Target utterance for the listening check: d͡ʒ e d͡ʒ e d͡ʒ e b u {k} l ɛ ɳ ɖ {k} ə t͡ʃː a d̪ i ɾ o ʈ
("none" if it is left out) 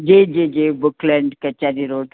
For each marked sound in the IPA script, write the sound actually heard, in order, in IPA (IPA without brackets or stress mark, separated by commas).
k, k